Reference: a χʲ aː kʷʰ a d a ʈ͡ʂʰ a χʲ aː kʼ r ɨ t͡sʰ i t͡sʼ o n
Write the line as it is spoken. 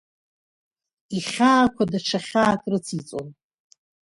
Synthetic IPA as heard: i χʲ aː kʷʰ a d a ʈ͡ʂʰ a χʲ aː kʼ r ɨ t͡sʰ i t͡sʼ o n

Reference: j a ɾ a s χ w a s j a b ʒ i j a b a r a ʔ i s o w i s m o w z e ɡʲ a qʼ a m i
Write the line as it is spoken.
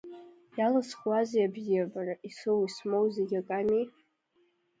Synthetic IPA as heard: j a l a s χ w a z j a b z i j a b a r a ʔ i s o w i s m o w z e ɡʲ a kʼ a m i

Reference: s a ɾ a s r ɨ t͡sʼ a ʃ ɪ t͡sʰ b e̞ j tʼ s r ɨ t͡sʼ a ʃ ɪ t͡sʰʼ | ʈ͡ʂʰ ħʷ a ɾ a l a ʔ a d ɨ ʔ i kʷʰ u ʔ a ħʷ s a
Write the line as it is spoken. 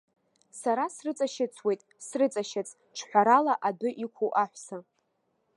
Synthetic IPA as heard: s a ɾ a s r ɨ t͡sʼ a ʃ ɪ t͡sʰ w e̞ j tʼ s r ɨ t͡sʼ a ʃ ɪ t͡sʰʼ | ʈ͡ʂʰ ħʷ a ɾ a l a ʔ a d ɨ ʔ i kʷʰ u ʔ a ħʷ s a

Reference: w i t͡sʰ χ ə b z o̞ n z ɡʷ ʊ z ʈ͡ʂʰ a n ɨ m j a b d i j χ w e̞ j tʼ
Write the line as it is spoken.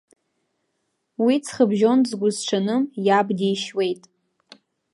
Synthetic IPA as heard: w i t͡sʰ χ ə b ʒ o̞ n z ɡʷ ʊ z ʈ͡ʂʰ a n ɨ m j a b d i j ʃ w e̞ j tʼ

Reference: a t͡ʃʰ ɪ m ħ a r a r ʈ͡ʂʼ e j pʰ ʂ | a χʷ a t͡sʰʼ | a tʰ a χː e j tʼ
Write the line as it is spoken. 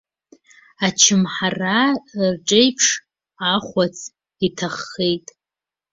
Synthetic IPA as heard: a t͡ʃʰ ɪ m ħ a r a r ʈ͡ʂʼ e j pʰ ʂ | a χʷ a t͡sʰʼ | i tʰ a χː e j tʼ

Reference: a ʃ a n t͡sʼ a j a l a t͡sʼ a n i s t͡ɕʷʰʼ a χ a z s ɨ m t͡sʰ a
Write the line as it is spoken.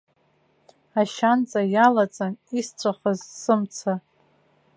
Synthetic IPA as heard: a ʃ a n t͡sʼ a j a l a t͡sʼ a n i s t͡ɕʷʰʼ a χ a z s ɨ m t͡sʰ a

